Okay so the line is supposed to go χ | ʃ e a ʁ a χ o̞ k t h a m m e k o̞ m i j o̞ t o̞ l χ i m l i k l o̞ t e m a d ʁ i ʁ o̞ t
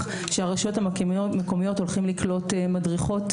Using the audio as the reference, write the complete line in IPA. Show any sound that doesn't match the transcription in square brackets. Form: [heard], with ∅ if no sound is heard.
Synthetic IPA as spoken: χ | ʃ e a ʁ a [ʃ] o̞ [∅] t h a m m e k o̞ m i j o̞ t o̞ l χ i m l i k l o̞ t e m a d ʁ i [χ] o̞ t